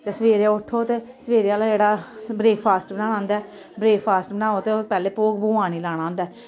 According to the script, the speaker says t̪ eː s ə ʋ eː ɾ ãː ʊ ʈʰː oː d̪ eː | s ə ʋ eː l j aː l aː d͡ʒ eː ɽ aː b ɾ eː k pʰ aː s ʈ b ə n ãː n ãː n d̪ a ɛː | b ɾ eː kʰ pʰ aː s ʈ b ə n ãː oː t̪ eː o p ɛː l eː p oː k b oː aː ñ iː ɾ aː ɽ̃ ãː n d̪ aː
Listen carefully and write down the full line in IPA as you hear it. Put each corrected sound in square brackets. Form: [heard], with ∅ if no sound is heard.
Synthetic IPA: t̪ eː s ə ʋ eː ɾ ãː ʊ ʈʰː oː [t̪] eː | s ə ʋ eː [ɾ] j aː l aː d͡ʒ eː ɽ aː b ɾ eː k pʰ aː s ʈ b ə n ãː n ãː n d̪ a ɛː | b ɾ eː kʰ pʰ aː s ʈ b ə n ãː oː t̪ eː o p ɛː l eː p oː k b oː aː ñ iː [l] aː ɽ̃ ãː n d̪ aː